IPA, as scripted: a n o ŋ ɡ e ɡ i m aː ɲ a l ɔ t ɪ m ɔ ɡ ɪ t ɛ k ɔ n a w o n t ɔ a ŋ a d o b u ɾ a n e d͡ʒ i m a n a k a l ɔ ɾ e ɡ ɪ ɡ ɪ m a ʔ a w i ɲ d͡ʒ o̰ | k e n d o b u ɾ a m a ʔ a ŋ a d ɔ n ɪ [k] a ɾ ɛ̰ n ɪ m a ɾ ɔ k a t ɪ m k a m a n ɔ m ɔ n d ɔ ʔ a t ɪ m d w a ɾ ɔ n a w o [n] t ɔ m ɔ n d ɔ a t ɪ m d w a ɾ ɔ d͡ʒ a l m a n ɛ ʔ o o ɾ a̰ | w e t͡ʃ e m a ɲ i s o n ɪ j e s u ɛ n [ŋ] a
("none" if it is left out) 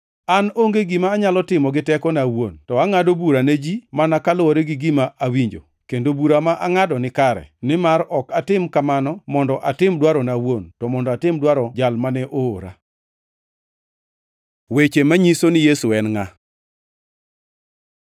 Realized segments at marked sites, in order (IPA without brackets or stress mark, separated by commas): k, n, ŋ